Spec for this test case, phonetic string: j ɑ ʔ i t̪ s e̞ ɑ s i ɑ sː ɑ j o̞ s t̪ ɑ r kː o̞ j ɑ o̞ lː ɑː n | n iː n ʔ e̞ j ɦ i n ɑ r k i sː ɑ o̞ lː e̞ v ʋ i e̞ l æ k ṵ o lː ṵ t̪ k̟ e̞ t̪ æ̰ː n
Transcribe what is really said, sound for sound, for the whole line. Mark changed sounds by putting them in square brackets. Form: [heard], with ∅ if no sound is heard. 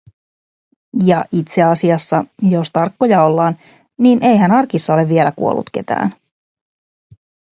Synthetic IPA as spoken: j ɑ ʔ i t̪ s e̞ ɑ s i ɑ sː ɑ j o̞ s t̪ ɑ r kː o̞ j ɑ o̞ lː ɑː n | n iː n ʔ e̞ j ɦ [æ] n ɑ r k i sː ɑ o̞ [l] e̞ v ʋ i e̞ l æ k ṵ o lː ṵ t̪ k̟ e̞ t̪ æ̰ː n

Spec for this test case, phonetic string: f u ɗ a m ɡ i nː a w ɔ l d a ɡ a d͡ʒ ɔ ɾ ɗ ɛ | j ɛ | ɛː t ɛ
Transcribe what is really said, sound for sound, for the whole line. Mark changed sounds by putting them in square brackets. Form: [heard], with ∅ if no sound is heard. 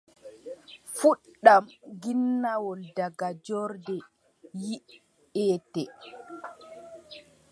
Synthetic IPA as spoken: f u ɗ a m ɡ i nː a w ɔ l d a ɡ a d͡ʒ ɔ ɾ [d] ɛ | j [i] | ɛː t ɛ

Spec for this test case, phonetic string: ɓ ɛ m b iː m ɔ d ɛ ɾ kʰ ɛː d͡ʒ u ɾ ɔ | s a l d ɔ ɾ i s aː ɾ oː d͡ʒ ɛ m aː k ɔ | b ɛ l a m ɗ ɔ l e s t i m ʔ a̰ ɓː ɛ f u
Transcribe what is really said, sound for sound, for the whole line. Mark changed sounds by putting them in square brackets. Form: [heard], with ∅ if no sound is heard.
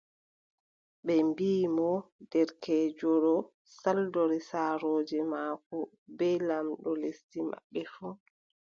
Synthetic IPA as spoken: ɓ ɛ m b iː m ɔ d ɛ ɾ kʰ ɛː d͡ʒ [ɔ] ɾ ɔ | s a l d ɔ ɾ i s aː ɾ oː d͡ʒ ɛ m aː k ɔ | b ɛ l a m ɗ ɔ l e s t i m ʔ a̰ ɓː ɛ f u

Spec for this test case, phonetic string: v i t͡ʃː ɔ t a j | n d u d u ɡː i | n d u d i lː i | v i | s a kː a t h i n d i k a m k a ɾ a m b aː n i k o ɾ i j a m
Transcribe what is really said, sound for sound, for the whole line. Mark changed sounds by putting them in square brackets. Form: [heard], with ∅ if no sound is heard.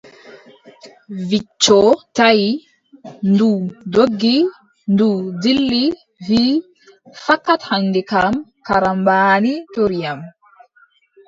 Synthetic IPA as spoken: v i t͡ʃː ɔ t a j | n d u d [o] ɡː i | n d u d i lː i | v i | [f] a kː a t h [a] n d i k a m k a ɾ a m b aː n i [t] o ɾ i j a m

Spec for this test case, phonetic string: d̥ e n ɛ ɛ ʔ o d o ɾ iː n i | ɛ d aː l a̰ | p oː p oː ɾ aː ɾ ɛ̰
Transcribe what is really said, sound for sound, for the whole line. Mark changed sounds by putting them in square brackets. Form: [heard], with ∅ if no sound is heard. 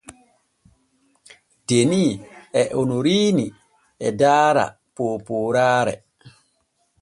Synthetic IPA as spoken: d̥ e n [i] ɛ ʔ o [n] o ɾ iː n i | ɛ d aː [ɾ] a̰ | p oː p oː ɾ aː ɾ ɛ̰

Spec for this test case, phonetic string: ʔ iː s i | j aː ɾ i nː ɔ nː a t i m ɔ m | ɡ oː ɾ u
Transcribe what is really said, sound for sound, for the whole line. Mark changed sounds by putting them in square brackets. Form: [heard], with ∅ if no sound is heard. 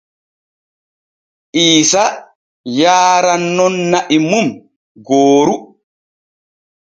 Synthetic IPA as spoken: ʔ iː s [a] | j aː ɾ [a] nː ɔ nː a [ʔ] i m [u] m | ɡ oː ɾ u

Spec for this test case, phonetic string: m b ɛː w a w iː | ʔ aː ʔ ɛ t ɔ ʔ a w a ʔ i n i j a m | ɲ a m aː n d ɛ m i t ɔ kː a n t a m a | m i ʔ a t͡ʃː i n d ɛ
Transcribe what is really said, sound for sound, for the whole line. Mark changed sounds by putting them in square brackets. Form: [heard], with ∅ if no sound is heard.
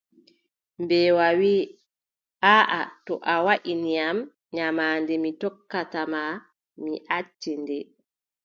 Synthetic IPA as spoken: m b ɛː w a w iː | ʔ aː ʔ [a] t ɔ ʔ a w a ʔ i n i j a m | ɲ a m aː n d ɛ m i t ɔ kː a [∅] t a m a | m i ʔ a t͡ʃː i n d ɛ

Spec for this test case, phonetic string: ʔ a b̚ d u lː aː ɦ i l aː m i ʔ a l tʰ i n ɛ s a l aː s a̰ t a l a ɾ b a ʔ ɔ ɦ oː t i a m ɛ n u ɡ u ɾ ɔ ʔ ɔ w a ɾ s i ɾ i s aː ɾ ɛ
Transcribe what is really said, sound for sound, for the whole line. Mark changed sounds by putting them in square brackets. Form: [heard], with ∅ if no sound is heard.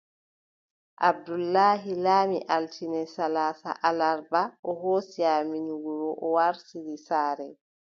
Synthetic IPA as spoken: ʔ a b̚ d u lː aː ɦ i l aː m i ʔ a l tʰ i n ɛ s a l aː s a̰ [ʔ] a l a ɾ b a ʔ ɔ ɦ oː [s] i a m [i] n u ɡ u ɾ ɔ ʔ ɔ w a ɾ s i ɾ i s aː ɾ ɛ

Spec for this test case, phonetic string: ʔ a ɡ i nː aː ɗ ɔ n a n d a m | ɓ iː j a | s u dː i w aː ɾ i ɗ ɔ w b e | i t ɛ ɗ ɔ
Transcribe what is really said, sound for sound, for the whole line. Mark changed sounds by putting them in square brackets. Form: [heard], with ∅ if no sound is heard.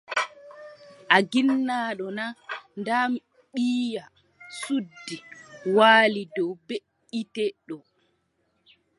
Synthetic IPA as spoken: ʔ a ɡ i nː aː ɗ ɔ n a n d a m | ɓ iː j a | s u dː i w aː [l] i [d] ɔ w b e | i t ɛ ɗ ɔ

